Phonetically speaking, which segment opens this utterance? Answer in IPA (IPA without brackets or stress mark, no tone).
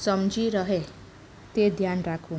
s